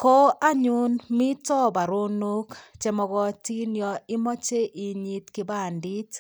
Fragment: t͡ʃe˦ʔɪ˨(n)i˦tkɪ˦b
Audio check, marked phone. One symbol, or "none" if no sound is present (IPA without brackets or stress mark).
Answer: ɲ